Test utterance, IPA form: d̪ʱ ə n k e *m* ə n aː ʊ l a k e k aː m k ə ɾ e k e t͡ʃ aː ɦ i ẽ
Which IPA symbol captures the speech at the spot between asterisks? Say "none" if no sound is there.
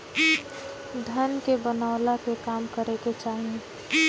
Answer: b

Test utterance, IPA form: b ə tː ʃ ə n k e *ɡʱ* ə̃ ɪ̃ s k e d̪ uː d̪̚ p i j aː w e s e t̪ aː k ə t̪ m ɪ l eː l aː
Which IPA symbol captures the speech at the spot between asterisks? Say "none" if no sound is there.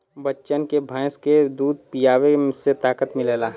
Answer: bʱ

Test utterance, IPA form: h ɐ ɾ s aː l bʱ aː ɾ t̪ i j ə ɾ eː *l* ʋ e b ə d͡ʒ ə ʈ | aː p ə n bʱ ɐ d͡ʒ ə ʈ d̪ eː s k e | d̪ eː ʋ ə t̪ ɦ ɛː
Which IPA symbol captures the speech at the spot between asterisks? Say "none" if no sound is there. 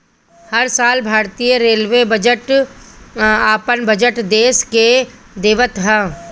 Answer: l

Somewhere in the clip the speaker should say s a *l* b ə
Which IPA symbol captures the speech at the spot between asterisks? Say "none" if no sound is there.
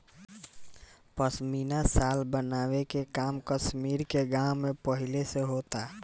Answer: l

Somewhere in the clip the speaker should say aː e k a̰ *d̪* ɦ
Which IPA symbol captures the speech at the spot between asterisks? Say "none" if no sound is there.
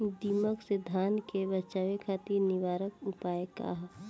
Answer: none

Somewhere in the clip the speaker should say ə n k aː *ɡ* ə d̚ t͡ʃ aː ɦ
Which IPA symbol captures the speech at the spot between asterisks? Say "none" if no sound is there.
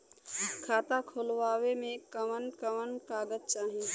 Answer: ɡ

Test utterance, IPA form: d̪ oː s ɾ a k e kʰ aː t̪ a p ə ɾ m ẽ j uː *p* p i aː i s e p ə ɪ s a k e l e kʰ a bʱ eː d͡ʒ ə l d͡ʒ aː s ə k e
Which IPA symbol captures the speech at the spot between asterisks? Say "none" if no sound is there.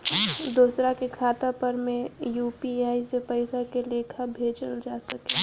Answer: p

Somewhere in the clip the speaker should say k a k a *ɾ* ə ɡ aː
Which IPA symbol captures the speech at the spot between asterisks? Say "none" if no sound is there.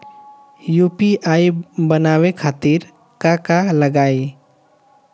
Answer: l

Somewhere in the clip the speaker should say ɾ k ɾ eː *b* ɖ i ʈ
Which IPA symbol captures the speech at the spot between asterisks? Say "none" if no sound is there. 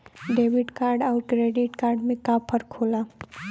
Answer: none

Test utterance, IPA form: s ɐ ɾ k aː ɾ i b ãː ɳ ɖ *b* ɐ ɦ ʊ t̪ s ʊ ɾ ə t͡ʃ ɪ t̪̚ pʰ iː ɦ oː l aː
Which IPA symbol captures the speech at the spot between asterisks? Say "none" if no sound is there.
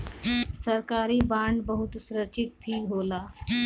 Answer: b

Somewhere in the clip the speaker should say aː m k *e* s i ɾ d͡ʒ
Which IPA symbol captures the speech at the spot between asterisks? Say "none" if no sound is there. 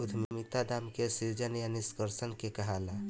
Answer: e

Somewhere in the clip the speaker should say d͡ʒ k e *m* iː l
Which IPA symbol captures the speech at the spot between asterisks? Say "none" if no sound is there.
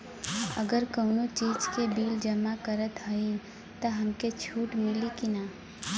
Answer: b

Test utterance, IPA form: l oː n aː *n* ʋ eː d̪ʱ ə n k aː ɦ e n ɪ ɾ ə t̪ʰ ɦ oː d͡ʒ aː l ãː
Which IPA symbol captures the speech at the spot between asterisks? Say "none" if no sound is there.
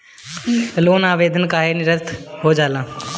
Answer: none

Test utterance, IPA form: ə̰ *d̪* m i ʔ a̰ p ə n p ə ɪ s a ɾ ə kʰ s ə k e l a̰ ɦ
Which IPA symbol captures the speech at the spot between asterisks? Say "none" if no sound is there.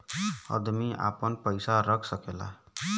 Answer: d̪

